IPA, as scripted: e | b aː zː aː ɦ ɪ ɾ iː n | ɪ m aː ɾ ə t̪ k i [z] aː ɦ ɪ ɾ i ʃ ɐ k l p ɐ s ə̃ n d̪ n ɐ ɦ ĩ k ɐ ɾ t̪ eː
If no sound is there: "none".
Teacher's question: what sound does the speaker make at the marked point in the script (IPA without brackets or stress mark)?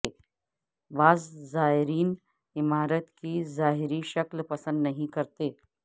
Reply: z